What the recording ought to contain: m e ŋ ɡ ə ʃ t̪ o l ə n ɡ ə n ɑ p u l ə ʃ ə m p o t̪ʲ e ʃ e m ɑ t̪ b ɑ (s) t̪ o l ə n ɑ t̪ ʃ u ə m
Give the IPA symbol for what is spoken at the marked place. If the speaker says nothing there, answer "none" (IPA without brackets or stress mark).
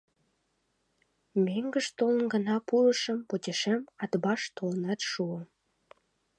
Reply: ʃ